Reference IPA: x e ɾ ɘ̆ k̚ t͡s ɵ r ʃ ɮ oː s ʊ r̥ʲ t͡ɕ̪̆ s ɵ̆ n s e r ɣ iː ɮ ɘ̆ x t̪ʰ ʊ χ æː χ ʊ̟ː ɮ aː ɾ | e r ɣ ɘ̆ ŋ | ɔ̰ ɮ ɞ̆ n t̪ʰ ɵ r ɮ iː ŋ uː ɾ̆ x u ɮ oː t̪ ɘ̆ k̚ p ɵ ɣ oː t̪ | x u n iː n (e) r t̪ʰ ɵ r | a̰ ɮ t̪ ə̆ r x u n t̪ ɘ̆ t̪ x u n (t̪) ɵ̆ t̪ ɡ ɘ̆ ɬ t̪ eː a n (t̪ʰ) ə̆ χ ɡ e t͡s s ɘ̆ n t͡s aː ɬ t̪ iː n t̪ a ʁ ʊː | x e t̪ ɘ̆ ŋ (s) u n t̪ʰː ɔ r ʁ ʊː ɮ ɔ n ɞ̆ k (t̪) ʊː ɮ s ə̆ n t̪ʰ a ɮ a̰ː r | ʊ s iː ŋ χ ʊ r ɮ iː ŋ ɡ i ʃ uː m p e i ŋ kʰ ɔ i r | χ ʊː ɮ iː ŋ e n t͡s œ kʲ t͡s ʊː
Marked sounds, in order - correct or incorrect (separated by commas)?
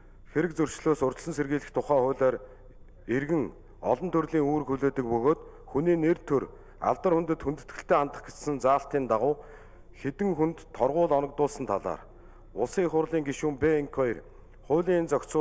correct, correct, incorrect, incorrect, correct